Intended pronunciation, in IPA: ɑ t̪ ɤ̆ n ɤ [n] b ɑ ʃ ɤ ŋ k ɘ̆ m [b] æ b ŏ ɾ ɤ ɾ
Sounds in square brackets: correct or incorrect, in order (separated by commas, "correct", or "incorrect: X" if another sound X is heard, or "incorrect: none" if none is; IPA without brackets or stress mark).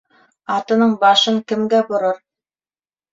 incorrect: ɴ, incorrect: ɡ